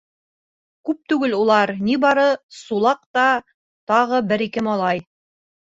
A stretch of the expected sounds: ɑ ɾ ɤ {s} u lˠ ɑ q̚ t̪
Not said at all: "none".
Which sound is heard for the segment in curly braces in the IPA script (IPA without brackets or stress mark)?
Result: s